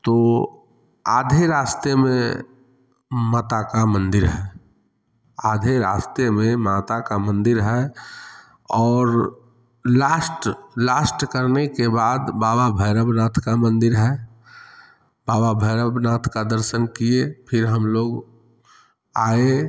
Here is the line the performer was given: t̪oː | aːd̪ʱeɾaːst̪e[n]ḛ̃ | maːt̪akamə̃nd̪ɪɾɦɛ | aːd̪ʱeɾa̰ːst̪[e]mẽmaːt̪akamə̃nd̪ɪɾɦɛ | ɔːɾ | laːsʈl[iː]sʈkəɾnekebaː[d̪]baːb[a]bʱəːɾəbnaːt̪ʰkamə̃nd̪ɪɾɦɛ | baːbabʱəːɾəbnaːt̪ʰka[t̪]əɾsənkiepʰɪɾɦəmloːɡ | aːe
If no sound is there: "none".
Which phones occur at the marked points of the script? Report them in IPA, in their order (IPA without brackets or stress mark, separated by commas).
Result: m, e, aː, d̪, a, d̪